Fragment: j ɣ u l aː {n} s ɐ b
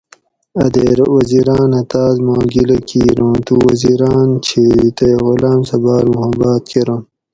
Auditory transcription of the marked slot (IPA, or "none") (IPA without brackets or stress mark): m